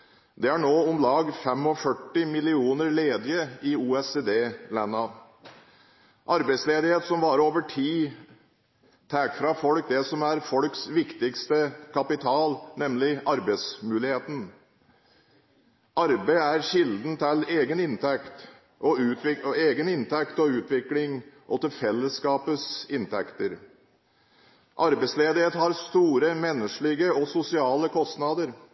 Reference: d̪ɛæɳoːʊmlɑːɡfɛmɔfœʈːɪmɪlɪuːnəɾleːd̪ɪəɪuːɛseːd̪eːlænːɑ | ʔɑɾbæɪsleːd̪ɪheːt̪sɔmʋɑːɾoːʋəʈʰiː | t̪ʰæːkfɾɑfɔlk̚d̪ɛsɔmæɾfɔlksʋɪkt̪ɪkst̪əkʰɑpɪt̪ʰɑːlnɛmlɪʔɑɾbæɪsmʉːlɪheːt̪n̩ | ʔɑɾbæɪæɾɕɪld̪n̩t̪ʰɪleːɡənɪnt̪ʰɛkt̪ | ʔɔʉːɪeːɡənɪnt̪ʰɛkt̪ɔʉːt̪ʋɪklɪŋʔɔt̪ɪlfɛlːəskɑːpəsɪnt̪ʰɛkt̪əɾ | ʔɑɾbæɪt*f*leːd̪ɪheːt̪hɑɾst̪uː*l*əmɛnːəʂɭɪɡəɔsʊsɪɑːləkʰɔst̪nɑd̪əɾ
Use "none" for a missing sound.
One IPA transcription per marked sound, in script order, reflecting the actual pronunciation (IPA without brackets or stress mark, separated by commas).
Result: s, ɾ